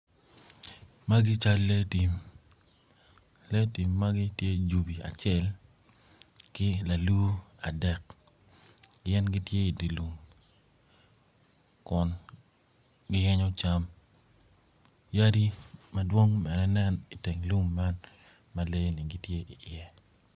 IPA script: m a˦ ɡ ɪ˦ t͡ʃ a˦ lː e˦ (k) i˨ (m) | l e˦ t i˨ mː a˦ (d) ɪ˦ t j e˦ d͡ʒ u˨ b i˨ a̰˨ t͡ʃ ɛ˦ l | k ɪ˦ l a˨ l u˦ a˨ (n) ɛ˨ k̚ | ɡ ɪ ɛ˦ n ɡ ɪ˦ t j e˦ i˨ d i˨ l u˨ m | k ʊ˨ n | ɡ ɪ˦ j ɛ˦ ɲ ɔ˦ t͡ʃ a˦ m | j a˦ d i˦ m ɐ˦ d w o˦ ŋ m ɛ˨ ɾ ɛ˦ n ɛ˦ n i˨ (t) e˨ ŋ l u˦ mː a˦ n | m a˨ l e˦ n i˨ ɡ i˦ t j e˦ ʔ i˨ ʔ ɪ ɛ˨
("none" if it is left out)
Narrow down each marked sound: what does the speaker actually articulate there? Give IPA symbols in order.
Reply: t, m, ɡ, d, t

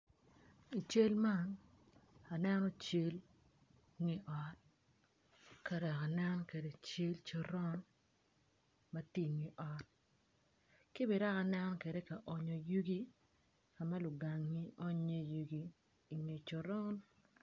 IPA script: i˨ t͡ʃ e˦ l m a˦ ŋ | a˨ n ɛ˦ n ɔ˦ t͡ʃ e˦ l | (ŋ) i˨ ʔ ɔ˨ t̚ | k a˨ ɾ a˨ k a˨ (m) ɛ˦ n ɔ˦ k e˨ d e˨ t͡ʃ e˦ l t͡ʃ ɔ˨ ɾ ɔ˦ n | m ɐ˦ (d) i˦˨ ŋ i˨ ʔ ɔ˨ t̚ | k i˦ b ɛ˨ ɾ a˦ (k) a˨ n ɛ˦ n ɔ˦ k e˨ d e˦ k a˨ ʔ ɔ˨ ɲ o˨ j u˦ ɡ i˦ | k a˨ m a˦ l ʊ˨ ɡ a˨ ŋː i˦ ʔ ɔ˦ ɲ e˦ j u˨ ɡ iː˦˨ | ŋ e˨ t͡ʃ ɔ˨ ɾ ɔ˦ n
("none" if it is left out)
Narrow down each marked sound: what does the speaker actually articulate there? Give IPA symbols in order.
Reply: ŋ, n, t, k

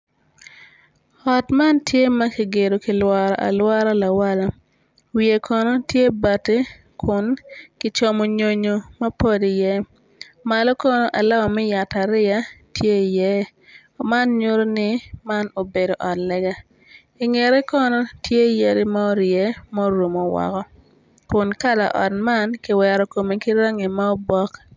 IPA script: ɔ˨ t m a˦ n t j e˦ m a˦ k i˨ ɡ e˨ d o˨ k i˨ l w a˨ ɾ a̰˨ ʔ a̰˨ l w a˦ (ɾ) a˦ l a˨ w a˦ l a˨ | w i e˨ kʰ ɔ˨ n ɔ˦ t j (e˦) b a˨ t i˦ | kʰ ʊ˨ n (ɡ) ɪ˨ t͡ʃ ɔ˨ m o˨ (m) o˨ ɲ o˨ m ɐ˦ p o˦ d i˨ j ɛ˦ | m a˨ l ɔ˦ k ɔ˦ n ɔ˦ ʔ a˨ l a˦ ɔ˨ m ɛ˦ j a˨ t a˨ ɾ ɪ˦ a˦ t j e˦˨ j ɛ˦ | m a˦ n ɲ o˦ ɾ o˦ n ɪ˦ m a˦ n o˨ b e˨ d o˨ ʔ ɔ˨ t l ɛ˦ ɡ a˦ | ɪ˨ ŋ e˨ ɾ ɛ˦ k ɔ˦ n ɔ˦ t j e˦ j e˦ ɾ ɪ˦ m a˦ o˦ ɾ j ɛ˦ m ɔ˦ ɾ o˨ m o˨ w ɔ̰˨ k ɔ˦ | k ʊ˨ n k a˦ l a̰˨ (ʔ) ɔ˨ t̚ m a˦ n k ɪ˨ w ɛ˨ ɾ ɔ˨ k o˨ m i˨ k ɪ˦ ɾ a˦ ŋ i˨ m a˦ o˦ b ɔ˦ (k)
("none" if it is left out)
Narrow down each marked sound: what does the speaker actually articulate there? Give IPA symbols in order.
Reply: ɾ, e˦, k, ɲ, ʔ, k

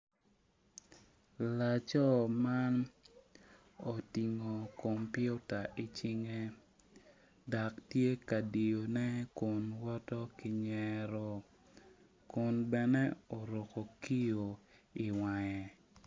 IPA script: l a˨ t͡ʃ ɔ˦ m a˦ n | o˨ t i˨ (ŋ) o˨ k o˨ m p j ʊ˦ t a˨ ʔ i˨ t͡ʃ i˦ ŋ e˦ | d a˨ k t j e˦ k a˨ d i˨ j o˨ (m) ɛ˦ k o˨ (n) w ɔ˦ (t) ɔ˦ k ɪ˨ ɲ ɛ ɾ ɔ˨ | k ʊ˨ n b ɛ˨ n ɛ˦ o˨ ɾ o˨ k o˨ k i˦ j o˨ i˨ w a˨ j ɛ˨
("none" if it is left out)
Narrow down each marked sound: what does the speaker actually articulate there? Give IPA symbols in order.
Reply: ŋ, n, n, t

